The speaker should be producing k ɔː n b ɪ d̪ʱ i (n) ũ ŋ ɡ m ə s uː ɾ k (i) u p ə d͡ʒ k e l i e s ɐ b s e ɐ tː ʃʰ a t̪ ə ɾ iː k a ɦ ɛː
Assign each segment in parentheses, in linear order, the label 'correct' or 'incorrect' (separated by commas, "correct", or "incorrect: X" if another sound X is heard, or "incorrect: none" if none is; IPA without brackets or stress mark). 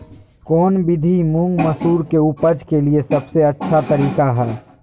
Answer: incorrect: m, incorrect: e